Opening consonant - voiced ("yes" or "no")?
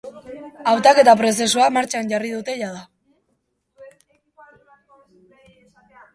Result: yes